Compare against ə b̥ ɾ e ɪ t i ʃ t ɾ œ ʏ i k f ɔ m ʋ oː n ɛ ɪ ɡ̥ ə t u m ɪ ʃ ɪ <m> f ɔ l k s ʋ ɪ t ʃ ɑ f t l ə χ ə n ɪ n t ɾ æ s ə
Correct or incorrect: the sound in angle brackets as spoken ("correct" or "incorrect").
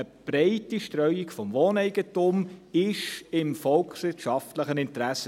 correct